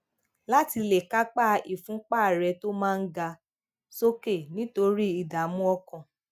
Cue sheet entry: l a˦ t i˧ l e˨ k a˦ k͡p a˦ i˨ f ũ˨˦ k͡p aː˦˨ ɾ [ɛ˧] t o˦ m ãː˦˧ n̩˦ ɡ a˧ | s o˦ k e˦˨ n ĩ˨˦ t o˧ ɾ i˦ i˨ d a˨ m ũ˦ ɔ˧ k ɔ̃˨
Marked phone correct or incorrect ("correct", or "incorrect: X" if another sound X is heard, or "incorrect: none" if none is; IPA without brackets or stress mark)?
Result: correct